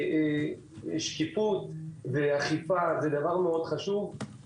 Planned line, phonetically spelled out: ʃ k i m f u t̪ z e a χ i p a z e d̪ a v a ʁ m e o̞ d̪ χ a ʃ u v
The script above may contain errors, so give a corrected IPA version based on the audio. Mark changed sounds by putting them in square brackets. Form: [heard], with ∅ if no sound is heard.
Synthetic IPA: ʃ k i [∅] f u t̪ [v] e a χ i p a z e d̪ a v a ʁ m e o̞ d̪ χ a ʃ u v